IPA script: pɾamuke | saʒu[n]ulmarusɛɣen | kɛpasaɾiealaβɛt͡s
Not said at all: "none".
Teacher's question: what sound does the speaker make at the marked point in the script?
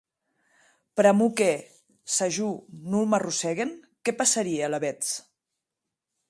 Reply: n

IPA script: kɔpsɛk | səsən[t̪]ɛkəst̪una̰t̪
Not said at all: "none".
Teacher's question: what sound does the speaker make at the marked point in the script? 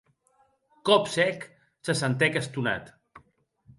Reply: t̪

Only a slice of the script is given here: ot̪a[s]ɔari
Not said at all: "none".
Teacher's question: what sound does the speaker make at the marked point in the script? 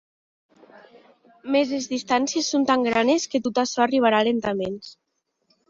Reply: ʃ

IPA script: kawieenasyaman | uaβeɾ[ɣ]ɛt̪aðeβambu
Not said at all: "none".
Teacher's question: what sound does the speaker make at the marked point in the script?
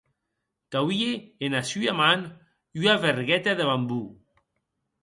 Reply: ɣ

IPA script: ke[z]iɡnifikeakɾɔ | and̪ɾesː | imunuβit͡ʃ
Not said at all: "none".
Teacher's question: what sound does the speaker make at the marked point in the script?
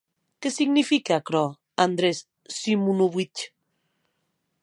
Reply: s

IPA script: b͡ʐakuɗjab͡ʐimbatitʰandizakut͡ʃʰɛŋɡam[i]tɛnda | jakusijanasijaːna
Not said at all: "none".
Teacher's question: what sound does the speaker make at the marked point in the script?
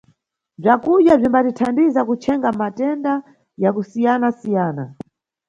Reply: a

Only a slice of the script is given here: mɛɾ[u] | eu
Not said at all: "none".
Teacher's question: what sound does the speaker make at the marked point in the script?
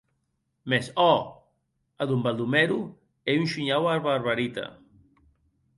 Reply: u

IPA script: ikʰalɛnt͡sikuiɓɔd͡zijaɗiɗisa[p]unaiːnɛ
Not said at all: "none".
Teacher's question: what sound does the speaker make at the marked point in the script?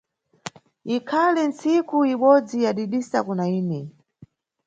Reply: k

